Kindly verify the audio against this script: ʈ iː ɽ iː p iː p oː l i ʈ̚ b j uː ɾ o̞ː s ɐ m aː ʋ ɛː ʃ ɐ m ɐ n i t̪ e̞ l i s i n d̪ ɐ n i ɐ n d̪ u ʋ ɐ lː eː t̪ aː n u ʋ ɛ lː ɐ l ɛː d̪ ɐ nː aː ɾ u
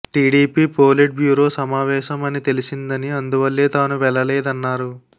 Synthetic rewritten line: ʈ iː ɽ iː p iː p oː l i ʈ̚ b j uː ɾ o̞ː s ɐ m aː ʋ ɛː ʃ ɐ m ɐ n i t̪ e̞ l i s i n d̪ ɐ n i ɐ n d̪ u ʋ ɐ lː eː t̪ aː n u ʋ ɛ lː ɐ l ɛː d̪ ɐ nː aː ɾ u